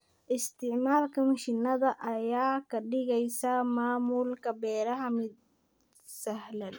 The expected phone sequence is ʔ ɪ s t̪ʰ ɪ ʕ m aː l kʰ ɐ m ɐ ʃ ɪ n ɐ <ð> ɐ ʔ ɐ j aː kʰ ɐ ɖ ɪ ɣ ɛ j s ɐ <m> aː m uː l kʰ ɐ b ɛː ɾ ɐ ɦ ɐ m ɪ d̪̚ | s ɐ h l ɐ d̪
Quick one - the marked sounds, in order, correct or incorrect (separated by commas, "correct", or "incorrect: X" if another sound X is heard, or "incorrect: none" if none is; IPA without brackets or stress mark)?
correct, correct